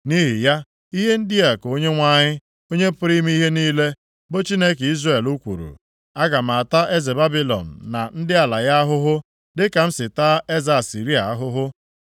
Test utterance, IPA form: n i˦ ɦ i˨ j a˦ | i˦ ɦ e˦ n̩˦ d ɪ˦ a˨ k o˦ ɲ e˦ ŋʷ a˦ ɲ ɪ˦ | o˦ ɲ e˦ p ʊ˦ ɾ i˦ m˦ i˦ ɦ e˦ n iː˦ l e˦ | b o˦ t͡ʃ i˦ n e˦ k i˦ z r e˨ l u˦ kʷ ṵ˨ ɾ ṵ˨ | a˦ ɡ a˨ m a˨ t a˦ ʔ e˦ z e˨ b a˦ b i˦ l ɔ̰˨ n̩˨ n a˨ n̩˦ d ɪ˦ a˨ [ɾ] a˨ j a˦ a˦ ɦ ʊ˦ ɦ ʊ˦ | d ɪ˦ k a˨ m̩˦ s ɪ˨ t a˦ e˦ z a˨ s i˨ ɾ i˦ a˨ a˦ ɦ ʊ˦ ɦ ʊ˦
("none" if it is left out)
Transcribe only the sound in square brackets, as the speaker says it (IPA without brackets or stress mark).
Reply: l